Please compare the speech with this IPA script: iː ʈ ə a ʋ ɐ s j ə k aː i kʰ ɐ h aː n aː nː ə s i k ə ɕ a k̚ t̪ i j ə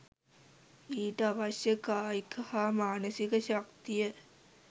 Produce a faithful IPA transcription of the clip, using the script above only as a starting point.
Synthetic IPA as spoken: iː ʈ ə a ʋ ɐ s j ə k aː i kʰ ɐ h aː m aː n ə s i k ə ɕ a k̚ t̪ i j ə